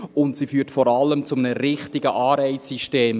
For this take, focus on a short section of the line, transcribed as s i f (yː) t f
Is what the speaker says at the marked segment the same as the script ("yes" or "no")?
yes